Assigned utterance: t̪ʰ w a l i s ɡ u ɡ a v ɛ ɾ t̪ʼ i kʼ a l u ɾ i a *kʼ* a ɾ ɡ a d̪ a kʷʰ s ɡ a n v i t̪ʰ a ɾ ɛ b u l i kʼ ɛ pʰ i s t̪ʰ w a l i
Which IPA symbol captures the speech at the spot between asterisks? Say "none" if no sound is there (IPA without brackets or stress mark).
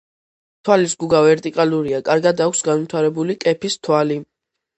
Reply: kʼ